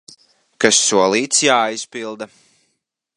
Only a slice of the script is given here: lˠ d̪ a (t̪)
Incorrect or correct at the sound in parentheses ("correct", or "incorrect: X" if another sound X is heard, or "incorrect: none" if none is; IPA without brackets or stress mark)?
incorrect: none